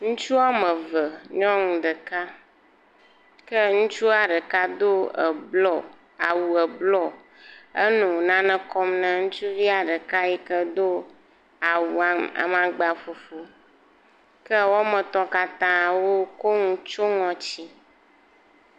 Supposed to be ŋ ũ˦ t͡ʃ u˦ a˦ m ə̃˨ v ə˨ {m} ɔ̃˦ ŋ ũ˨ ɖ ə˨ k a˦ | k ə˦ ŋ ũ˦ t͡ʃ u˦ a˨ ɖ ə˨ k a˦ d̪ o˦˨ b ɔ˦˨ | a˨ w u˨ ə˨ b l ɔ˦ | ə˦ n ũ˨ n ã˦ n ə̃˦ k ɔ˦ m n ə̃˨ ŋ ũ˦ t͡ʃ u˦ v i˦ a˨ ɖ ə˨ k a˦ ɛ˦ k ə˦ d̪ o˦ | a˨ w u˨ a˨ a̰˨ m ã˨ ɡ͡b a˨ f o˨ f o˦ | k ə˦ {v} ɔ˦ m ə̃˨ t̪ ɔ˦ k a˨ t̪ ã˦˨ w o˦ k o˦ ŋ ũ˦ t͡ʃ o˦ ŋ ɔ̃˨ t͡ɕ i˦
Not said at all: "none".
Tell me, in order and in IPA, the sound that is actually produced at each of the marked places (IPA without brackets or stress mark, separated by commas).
ɲ, w